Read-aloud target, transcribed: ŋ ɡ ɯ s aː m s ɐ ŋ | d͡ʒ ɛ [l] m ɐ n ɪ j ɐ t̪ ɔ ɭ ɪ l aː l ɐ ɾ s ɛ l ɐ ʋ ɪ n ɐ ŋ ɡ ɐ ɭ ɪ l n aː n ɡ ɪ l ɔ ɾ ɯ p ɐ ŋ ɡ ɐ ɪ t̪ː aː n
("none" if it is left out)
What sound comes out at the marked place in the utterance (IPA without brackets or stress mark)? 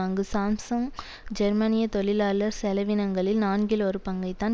ɾ